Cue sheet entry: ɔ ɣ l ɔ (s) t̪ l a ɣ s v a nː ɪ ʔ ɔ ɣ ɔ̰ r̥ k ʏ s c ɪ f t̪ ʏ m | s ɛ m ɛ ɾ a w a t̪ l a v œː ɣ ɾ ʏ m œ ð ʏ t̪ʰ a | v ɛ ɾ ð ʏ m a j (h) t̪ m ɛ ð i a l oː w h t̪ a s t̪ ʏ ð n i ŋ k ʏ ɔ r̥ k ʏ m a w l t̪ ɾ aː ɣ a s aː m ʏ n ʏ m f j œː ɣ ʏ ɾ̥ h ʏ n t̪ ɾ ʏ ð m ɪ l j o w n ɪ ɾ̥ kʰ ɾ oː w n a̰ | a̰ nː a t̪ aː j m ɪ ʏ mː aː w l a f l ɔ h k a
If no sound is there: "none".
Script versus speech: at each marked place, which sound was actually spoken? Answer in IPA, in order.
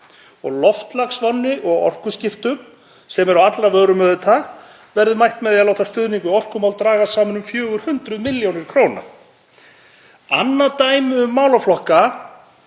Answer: f, h

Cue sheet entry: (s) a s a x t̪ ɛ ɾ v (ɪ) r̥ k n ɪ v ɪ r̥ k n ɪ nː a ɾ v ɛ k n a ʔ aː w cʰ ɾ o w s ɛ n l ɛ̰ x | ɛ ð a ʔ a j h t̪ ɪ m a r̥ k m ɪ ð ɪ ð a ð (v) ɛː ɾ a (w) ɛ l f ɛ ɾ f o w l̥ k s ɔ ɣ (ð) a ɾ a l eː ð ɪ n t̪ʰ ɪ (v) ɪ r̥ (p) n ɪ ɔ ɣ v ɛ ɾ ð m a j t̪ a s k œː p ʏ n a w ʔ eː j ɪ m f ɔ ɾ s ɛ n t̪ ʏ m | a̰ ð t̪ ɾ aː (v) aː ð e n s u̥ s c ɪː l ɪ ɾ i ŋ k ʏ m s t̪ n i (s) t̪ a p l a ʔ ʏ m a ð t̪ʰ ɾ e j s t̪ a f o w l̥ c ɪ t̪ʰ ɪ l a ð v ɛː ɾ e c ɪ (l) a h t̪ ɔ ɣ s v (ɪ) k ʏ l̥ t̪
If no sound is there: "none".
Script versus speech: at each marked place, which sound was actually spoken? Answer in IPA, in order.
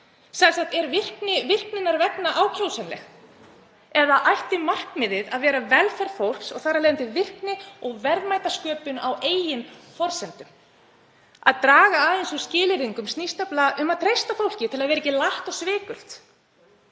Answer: s, ɪ, v, v, θ, v, k, ɣ, s, l, ɪː

